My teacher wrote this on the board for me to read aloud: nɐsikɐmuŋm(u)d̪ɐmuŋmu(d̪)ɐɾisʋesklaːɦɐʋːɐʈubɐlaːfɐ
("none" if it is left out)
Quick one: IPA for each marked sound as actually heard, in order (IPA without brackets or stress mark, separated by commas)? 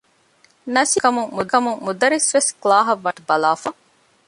u, d̪